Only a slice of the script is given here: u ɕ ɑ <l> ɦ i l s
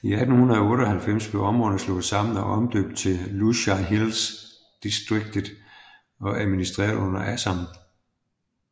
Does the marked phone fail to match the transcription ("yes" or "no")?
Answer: yes